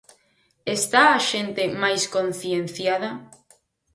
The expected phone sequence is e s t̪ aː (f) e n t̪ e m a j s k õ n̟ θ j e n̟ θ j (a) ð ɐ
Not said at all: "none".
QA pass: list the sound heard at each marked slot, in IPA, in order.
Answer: ʃ, a

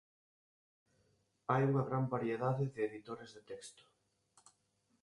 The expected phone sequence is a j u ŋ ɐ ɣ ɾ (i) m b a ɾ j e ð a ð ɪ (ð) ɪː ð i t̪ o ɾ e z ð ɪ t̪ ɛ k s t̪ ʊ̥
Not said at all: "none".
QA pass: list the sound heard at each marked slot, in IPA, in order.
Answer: a, ð

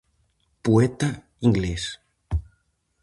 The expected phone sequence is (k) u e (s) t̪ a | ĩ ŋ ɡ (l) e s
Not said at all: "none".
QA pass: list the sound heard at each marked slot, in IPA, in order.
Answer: p, none, l

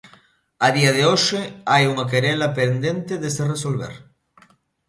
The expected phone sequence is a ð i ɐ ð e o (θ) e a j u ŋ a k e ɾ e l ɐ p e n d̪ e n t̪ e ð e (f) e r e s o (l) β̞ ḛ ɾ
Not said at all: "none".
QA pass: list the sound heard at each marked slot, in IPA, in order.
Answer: ʃ, s, l

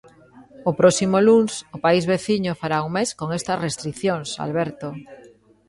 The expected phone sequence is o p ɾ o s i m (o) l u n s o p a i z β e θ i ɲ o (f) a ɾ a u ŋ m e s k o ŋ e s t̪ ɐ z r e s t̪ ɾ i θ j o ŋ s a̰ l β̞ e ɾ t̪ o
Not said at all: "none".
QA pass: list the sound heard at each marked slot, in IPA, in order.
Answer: o, f

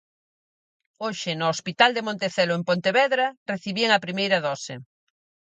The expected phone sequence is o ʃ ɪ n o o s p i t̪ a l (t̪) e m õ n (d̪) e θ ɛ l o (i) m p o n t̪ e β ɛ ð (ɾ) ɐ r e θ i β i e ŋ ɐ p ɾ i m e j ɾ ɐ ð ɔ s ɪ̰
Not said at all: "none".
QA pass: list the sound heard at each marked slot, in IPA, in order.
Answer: d̪, t̪, e, ɾ

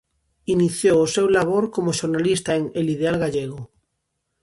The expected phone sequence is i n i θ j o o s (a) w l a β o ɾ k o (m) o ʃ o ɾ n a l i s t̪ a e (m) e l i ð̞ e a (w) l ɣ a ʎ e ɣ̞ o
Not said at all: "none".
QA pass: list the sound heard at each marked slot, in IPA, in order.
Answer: e, m, ŋ, none

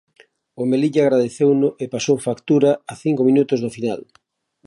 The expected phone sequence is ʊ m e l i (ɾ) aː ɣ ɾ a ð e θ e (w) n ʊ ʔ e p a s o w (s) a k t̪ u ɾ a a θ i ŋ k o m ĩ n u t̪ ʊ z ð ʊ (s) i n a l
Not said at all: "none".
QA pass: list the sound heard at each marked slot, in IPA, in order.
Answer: ʎ, w, f, f

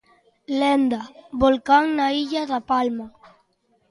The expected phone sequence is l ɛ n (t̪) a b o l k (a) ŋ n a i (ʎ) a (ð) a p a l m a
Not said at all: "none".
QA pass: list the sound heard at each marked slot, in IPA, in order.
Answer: d̪, a, ʎ, ð

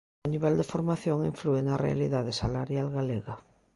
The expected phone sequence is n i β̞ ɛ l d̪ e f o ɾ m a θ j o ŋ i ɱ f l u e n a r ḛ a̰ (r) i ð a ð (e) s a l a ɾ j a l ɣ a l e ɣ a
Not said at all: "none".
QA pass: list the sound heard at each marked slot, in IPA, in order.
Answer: l, e

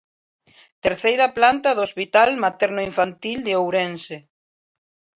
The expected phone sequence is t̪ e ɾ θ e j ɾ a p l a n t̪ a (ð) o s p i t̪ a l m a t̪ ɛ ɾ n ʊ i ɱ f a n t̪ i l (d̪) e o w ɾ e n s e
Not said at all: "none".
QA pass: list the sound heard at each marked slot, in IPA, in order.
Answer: ð, d̪

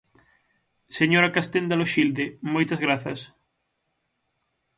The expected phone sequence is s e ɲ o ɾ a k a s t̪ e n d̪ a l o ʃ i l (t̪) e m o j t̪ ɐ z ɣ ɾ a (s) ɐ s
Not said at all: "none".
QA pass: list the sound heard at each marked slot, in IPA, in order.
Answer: d̪, θ

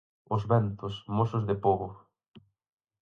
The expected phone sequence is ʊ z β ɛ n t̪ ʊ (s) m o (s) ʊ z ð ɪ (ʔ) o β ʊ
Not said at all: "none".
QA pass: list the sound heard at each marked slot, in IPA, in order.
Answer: s, s, p

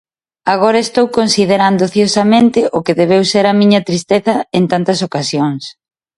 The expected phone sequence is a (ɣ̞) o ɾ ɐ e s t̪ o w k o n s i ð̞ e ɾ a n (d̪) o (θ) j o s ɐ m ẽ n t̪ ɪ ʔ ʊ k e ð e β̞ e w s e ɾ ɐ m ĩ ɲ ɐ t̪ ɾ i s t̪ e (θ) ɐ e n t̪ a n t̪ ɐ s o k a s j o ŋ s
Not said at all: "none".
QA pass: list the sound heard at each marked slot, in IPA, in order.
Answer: ɣ̞, d̪, θ, θ

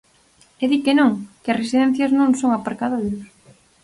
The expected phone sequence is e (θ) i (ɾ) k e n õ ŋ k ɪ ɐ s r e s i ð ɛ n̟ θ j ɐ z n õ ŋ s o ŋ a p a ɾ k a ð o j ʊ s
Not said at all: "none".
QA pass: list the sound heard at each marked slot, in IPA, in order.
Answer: ð, none

